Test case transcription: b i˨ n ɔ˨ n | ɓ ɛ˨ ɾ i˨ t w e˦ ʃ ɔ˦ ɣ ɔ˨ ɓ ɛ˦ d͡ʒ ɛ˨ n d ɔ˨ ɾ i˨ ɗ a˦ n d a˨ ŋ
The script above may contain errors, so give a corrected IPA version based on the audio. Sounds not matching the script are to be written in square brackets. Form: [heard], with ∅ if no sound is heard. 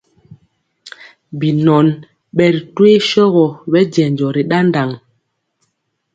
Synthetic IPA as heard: b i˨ n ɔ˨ n | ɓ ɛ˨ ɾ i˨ t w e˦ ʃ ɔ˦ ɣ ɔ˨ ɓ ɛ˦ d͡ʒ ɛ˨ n [d͡ʒ] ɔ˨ ɾ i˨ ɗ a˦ n d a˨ ŋ